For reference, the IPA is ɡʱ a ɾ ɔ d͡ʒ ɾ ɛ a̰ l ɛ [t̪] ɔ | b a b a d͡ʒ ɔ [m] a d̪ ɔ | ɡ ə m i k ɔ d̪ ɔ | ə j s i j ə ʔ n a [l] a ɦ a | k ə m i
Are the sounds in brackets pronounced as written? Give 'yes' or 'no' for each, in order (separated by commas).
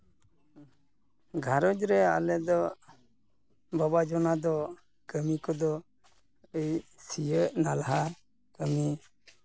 no, no, yes